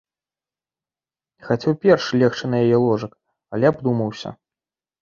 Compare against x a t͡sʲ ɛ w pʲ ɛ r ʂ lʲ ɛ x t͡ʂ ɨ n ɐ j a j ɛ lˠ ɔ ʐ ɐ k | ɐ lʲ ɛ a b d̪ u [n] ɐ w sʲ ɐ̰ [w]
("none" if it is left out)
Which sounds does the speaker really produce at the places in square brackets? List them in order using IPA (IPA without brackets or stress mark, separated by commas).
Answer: m, none